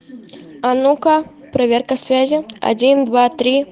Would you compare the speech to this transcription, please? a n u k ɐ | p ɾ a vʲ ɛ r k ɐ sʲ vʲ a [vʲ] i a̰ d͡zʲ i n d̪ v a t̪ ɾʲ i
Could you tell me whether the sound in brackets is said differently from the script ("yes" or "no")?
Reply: yes